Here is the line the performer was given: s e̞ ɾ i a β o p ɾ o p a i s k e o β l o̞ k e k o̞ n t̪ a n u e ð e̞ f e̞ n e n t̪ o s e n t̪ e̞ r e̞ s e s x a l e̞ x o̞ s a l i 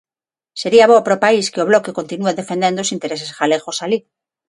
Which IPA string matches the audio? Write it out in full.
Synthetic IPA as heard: s e̞ ɾ i a β o p ɾ o p a i s k e o β l o̞ k e k o̞ n t̪ i n u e ð e̞ f e̞ n e n d̪ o s i n t̪ e̞ ɾ e̞ s e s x a l e̞ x o̞ s a l i